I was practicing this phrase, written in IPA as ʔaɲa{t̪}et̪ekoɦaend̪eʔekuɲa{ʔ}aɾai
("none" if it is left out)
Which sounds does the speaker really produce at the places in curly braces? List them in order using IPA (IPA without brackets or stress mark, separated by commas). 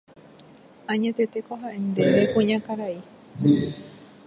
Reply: t̪, k